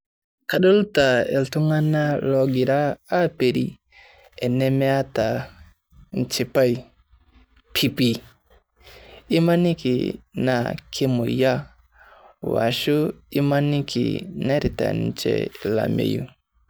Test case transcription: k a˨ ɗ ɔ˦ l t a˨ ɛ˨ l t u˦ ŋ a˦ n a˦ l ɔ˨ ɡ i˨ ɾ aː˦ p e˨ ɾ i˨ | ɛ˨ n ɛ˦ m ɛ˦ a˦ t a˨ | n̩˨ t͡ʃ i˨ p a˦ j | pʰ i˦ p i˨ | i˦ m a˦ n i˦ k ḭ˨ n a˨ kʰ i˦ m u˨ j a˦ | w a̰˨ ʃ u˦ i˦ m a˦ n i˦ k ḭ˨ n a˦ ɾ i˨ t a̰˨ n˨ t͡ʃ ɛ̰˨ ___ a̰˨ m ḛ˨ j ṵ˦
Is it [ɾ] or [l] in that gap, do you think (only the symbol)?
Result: l